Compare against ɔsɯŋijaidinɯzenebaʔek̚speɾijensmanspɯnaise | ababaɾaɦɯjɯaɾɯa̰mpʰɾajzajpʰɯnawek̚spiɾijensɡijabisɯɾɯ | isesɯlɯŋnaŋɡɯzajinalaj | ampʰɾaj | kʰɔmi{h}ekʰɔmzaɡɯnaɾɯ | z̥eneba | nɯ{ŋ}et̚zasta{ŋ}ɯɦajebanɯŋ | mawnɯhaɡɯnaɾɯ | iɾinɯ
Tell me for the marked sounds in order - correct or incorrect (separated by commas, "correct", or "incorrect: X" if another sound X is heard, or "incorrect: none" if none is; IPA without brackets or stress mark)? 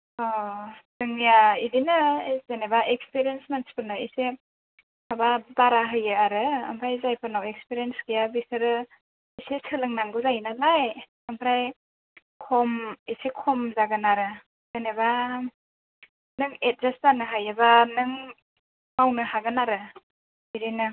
incorrect: s, correct, incorrect: n